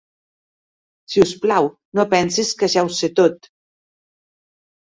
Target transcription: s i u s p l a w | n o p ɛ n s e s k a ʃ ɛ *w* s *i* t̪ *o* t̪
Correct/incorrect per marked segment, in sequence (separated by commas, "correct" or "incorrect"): correct, incorrect, correct